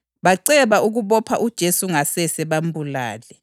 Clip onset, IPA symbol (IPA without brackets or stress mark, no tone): β